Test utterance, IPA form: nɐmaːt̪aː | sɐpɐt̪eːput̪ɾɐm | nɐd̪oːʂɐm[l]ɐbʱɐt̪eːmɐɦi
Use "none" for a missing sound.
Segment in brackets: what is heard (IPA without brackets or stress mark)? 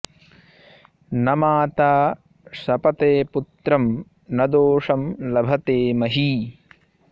l